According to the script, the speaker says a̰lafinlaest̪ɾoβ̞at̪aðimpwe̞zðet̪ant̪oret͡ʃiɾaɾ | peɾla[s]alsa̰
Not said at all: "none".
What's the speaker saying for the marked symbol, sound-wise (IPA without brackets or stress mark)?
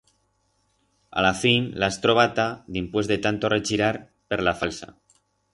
f